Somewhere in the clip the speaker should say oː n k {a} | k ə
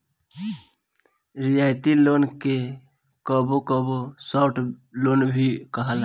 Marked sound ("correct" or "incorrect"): incorrect